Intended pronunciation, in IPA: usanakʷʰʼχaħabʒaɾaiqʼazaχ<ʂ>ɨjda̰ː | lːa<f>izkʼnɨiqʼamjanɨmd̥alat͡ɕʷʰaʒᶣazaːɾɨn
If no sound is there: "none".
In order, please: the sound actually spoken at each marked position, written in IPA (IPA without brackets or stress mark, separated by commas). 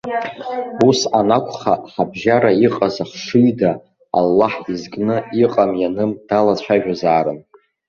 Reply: ʂ, ħ